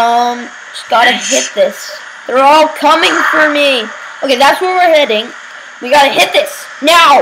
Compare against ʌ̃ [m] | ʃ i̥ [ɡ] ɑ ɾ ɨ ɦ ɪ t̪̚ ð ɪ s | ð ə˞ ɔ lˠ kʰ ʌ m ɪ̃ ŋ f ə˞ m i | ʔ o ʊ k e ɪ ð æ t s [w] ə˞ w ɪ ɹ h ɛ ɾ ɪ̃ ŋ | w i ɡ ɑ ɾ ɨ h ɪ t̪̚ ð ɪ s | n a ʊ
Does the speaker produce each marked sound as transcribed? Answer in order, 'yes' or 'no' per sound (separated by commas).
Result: yes, yes, yes